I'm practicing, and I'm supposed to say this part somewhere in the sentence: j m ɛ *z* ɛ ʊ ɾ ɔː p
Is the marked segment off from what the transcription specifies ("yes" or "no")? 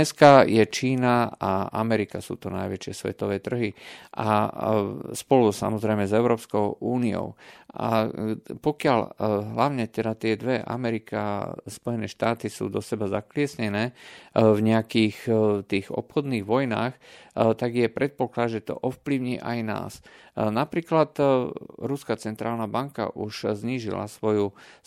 no